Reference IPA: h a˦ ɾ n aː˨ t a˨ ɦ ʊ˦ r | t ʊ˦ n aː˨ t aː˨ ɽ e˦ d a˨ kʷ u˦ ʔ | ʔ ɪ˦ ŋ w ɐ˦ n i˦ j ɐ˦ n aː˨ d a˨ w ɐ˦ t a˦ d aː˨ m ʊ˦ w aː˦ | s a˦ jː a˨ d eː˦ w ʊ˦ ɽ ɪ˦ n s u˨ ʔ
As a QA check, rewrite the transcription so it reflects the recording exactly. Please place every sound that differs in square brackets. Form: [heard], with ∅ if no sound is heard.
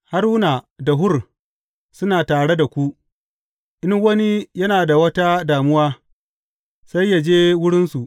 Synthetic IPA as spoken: h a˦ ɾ n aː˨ [d] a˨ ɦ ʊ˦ r | [s] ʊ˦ n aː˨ t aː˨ ɽ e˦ d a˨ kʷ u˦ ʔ | ʔ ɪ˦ ŋ w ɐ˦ n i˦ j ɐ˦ n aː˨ d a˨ w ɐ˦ t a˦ d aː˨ m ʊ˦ w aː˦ | s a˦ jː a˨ [d͡ʒ] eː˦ w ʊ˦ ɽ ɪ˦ n s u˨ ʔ